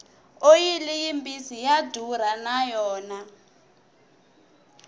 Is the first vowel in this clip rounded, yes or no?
yes